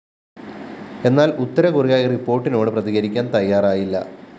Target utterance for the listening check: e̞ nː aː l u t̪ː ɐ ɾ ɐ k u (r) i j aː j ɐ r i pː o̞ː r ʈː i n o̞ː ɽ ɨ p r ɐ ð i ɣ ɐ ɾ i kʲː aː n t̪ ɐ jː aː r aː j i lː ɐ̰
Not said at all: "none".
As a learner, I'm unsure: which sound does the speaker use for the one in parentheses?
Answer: r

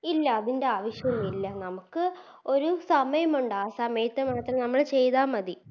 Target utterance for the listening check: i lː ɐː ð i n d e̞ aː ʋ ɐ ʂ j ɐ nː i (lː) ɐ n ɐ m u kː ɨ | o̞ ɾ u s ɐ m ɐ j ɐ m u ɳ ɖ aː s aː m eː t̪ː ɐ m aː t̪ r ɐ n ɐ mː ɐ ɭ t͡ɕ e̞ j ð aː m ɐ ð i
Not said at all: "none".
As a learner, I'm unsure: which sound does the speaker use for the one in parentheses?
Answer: lː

